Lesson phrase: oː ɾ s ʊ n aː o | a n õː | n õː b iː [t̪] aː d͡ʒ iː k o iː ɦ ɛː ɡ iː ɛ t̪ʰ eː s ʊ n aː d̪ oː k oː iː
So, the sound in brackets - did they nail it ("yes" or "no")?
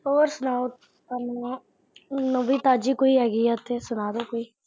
yes